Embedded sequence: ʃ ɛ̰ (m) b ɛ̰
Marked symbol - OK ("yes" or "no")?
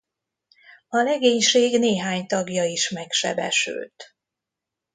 no